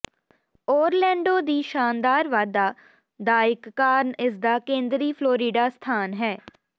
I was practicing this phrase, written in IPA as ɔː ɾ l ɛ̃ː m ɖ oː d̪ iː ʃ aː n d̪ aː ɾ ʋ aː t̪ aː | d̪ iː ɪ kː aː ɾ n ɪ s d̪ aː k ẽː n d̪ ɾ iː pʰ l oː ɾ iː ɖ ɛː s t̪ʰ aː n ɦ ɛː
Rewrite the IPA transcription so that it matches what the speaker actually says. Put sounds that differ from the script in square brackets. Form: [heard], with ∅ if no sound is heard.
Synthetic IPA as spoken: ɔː ɾ l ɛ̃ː [ɳ] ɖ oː d̪ iː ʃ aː n d̪ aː ɾ ʋ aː [d̪] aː | d̪ [aː] ɪ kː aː ɾ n ɪ s d̪ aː k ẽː n d̪ ɾ iː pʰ l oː ɾ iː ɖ [aː] s t̪ʰ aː n ɦ ɛː